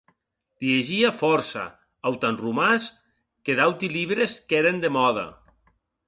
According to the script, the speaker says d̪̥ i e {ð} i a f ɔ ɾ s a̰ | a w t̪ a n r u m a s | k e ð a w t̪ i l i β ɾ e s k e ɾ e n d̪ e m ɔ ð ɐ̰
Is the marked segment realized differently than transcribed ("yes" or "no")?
yes